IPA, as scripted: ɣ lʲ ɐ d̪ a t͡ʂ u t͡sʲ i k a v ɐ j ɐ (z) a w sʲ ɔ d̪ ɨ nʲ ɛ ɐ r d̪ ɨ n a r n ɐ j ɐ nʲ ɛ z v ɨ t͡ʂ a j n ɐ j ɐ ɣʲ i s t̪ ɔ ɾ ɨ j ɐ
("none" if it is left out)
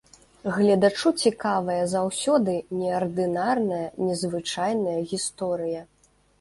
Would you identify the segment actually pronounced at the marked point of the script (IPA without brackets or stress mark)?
z